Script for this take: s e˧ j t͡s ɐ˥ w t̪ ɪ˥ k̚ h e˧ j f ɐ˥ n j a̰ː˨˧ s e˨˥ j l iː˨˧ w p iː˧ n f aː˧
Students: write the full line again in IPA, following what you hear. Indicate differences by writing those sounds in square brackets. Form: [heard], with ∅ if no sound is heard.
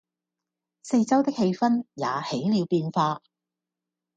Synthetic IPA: s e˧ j t͡s ɐ˥ w t̪ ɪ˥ k̚ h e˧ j f ɐ˥ n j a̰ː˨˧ [h] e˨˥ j l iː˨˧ w p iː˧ n f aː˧